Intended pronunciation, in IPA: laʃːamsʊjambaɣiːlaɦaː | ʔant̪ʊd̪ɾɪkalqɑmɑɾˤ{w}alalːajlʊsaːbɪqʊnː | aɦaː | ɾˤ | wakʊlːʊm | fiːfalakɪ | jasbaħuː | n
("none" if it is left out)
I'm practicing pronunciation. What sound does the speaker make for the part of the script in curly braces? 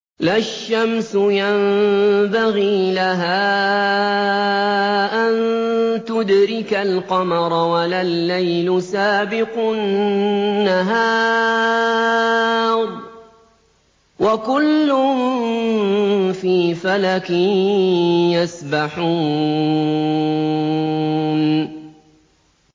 w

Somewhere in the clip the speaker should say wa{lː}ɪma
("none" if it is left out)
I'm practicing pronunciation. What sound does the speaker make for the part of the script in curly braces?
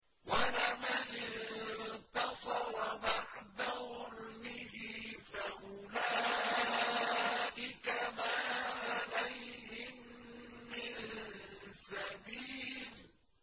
l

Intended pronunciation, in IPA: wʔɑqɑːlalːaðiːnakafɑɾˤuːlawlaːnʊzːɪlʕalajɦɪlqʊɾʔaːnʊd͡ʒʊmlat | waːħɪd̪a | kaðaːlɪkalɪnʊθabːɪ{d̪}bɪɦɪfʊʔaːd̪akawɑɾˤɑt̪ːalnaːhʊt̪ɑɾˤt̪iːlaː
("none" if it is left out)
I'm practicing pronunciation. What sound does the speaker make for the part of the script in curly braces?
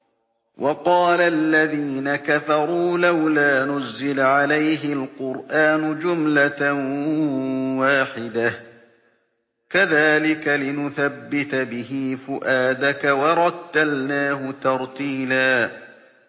t̪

